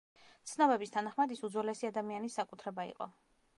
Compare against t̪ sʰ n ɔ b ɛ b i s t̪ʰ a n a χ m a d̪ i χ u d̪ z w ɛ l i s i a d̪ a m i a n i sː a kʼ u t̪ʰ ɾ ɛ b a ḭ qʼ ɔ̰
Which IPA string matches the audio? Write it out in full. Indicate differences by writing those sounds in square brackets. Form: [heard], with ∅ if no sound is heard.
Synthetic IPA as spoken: t̪ sʰ n ɔ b ɛ b i s t̪ʰ a n a χ m a d̪ i [s] u d̪ z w ɛ l [ɛ] s i a d̪ a m i a n i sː a kʼ u t̪ʰ ɾ ɛ b a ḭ qʼ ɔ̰